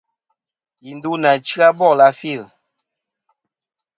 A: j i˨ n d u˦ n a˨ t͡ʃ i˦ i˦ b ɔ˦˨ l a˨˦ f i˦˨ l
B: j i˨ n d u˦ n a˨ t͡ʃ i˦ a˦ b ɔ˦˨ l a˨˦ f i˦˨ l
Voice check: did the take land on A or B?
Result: B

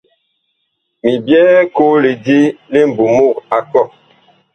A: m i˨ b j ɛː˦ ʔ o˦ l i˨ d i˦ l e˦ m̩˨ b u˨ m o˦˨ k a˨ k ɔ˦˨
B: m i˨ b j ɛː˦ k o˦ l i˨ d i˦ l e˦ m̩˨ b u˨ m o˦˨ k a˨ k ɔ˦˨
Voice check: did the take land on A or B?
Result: B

